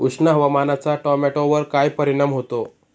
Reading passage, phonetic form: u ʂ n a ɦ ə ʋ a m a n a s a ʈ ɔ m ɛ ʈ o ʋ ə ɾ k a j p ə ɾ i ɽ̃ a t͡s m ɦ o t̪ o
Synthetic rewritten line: u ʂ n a ɦ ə ʋ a m a n a t͡s a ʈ ɔ m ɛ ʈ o ʋ ə ɾ k a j p ə ɾ i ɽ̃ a m ɦ o t̪ o

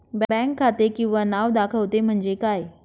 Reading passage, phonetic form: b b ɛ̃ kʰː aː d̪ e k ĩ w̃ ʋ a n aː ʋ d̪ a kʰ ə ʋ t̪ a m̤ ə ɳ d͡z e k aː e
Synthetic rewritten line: b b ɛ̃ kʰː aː t̪ e k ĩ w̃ ʋ a n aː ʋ d̪ a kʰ ə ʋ t̪ e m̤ ə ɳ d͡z e k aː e

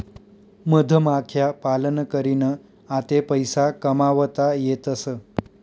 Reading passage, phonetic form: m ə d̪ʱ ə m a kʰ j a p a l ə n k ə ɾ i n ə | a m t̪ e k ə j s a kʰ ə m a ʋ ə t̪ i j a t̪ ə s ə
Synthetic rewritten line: m ə d̪ʱ ə m a kʰ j a p a l ə n k ə ɾ i n ə | a t̪ e p ə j s a k ə m a ʋ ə t̪ a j e t̪ ə s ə

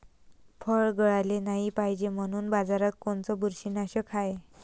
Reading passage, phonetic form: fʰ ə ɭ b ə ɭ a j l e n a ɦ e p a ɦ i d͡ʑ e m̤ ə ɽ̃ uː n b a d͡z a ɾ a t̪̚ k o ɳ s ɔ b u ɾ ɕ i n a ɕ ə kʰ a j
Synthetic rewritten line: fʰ ə ɭ ɡ ə ɭ a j l e n a ɦ i p a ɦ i d͡ʑ e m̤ ə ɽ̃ uː n b a d͡z a ɾ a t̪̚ k o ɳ t͡s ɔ b u ɾ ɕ i n a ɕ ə kʰ a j

